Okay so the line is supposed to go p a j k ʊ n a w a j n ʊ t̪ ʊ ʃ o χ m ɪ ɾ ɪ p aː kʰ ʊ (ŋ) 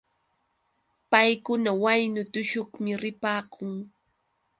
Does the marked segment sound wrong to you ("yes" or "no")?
no